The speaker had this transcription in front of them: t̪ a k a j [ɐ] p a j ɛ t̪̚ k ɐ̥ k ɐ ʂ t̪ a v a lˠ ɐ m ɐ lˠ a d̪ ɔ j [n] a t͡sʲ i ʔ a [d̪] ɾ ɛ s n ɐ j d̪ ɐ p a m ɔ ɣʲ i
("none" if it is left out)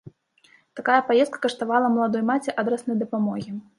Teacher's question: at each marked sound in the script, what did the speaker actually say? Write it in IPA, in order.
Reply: ɐ, m, d̪

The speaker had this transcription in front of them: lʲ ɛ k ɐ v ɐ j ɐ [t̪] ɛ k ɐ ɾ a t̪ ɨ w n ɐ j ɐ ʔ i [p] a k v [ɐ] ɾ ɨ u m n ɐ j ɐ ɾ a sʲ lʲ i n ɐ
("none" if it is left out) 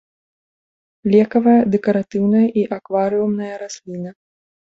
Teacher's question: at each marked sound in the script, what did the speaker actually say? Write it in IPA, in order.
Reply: d̪, ʔ, a

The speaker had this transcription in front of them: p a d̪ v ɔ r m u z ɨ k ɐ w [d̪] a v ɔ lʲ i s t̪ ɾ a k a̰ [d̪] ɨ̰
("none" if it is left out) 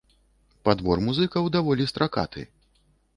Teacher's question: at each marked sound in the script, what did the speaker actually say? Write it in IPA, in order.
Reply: d̪, t̪

